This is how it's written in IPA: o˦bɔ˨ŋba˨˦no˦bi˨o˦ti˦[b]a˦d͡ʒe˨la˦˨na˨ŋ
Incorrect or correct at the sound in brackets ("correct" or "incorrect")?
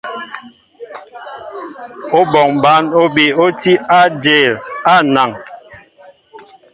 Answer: incorrect